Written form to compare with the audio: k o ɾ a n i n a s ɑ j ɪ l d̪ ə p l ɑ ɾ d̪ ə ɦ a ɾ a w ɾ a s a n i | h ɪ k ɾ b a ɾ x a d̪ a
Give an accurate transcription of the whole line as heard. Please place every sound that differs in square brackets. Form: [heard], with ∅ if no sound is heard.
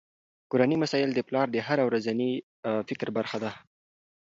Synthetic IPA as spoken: k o ɾ a n i [m] a s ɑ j ɪ l d̪ ə p l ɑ ɾ d̪ ə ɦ a ɾ a w ɾ a [z] a n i | [f] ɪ k ɾ b a ɾ x a d̪ a